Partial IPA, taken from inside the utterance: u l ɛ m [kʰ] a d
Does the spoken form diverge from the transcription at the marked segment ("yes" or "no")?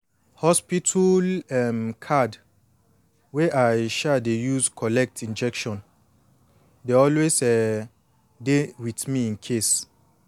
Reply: no